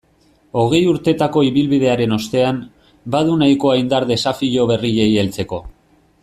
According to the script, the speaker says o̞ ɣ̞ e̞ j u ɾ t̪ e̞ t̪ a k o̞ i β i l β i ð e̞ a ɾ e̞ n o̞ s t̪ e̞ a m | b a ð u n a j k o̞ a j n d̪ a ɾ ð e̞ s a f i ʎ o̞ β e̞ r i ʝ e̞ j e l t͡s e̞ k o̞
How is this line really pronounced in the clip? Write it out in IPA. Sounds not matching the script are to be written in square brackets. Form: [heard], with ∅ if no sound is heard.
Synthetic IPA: o̞ ɣ̞ e̞ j u ɾ t̪ e̞ t̪ a k o̞ i β i l β i ð e̞ a ɾ e̞ n o̞ s t̪ e̞ a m | b a ð u n a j k o̞ a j n d̪ a ɾ ð e̞ s a f i ʎ o̞ β e̞ r i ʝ e̞ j e l t͡s e̞ k o̞